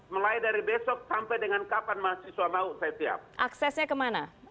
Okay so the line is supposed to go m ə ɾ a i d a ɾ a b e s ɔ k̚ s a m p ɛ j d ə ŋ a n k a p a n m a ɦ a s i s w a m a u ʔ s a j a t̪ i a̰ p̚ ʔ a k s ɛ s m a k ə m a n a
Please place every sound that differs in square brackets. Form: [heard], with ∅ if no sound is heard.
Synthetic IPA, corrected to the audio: m ə [l] a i d a ɾ [i] b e s ɔ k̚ s a m p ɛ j d ə ŋ a n k a p a n m a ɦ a s i s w a m a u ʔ s a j a t̪ i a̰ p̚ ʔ a k s ɛ s [ɲ] a k ə m a n a

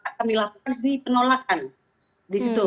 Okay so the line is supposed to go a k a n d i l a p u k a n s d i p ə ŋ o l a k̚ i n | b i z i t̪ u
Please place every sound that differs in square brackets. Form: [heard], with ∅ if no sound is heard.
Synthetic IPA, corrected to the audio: a k a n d i l a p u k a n s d i p ə [n] o l a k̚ [a] n | [d] i [s] i t̪ u

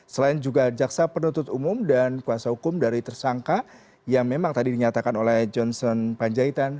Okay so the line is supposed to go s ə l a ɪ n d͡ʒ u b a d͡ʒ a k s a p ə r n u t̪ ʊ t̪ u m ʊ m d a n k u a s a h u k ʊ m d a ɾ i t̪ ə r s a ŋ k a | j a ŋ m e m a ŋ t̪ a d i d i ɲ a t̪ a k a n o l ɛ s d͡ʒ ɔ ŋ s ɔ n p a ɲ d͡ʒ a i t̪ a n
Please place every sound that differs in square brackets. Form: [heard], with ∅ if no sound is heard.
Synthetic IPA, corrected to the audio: s ə l a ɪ n d͡ʒ u [ɡ] a d͡ʒ a k s a p ə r n u t̪ ʊ t̪ u m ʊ m d a n k u a s a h u k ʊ m d a ɾ i t̪ ə r s a ŋ k a | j a ŋ m e m a ŋ t̪ a d i d i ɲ a t̪ a k a n o l ɛ [h] d͡ʒ ɔ [n] s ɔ n p a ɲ d͡ʒ a i t̪ a n

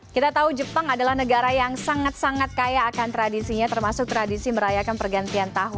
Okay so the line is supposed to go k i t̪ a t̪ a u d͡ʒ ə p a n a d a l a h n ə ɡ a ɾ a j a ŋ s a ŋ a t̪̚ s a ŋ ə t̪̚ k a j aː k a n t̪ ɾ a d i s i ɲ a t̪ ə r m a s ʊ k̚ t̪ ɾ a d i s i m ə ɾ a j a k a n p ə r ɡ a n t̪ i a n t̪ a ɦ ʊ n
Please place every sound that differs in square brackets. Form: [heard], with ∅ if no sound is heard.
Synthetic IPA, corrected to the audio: k i t̪ a t̪ a u d͡ʒ ə p a [ŋ] a d a l a h n ə ɡ a ɾ a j a ŋ s a ŋ a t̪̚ s a ŋ [a] t̪̚ k a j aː k a n t̪ ɾ a d i s i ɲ a t̪ ə r m a s ʊ k̚ t̪ ɾ a d i s i m ə ɾ a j a k a n p ə r ɡ a n t̪ i a n t̪ a ɦ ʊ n

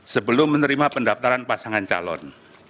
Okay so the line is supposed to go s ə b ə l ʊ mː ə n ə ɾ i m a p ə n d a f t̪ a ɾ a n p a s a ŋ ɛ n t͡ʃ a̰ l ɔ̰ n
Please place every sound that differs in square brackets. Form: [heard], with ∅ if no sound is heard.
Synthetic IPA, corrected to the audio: s ə b ə l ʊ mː ə n ə ɾ i m a p ə n d a f t̪ a ɾ a n p a s a ŋ [a] n t͡ʃ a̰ l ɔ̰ n

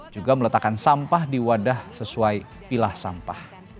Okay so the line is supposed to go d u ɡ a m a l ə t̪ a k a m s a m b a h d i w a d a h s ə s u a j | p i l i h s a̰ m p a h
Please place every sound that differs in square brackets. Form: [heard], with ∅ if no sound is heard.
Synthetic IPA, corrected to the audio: [d͡ʒ] u ɡ a m [ə] l ə t̪ a k a [n] s a m [p] a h d i w a d a h s ə s u a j | p i l [a] h s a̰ m p a h

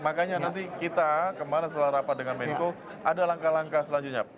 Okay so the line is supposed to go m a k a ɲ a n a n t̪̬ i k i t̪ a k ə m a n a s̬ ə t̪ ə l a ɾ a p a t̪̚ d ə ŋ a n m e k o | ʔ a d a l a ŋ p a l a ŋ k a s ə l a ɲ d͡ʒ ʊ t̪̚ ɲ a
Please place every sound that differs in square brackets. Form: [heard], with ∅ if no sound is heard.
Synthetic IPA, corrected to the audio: m a k a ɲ a n a n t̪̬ i k i t̪ a k ə m a n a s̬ ə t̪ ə l a ɾ a p a t̪̚ d ə ŋ a n m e k o | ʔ a d a l a ŋ [k] a l a ŋ k a s ə l a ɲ d͡ʒ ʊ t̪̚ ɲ a

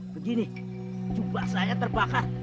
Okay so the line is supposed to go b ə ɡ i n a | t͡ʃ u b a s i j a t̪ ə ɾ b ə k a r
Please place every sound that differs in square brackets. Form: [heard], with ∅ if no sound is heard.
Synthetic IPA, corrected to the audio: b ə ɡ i n [i] | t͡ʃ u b a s [a] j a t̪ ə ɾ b [a] k a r

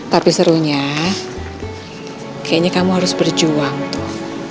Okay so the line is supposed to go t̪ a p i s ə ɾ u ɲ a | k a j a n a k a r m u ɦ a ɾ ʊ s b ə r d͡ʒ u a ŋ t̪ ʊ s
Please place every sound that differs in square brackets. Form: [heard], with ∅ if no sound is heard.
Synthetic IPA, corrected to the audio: t̪ a p i s ə ɾ u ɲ a | k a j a [ɲ] a k a [∅] m u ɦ a ɾ ʊ s b ə r d͡ʒ u a ŋ t̪ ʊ [h]

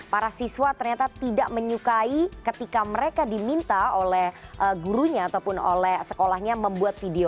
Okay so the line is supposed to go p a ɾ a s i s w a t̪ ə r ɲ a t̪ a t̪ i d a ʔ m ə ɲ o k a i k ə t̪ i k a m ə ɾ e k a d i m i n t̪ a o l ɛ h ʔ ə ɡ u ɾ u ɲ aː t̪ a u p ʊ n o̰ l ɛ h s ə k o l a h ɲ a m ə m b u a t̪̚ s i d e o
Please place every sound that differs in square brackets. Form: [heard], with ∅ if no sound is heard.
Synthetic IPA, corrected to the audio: p a ɾ a s i s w a t̪ ə r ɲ a t̪ a t̪ i d a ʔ m ə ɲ [u] k a i k ə t̪ i k a m ə ɾ e k a d i m i n t̪ a o l ɛ h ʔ ə ɡ u ɾ u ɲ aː t̪ a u p ʊ n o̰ l ɛ h s ə k o l a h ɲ a m ə m b u a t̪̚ [f] i d e o

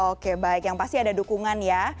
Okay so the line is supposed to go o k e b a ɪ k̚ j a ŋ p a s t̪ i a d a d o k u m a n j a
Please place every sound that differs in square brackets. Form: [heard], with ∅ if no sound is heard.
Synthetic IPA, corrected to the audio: o k e b a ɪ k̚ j a ŋ p a s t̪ i a d a d [u] k u [ŋ] a n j a

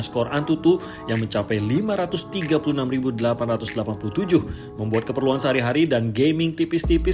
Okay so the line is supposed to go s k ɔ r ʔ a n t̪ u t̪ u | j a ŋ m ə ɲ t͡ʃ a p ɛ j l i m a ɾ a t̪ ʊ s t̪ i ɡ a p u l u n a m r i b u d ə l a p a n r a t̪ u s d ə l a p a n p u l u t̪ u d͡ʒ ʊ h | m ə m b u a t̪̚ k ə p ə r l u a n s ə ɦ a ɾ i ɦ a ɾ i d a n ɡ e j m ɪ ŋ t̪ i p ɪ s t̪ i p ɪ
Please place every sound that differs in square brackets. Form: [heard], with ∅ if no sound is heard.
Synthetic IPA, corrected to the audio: s k ɔ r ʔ a n t̪ u t̪ u | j a ŋ m ə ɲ t͡ʃ a p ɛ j l i m a ɾ a t̪ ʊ s t̪ i ɡ a p u l u n a m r i b u d ə l a p a n r a t̪ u s d ə l a p a n p u l u t̪ u d͡ʒ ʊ h | m ə m b u a t̪̚ k ə p ə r l u a n s ə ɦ a ɾ i ɦ a ɾ i d a n ɡ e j m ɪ ŋ t̪ i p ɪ s t̪ i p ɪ

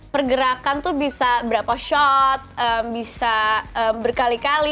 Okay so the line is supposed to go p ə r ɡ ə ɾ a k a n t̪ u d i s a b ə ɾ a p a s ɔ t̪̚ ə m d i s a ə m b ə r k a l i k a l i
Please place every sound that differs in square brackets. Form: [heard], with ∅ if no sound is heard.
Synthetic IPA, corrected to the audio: p ə r ɡ ə ɾ a k a n t̪ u [b] i s a b ə ɾ a p a [ʃ] ɔ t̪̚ ə m [b] i s a ə m b ə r k a l i k a l i

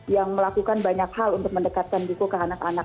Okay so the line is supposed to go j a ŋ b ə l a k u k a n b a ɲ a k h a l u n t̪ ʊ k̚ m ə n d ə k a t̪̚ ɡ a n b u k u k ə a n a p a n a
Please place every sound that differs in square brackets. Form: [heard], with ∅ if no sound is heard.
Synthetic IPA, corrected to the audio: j a ŋ [m] ə l a k u k a n b a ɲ a k h a l u n t̪ ʊ k̚ m ə n d ə k a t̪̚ [k] a n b u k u k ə a n a [k] a n a

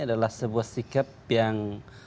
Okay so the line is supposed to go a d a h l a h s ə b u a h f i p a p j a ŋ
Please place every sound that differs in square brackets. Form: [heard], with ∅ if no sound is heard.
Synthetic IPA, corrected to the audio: a d a [∅] l a h s ə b u a h [s] i [k] a p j a ŋ

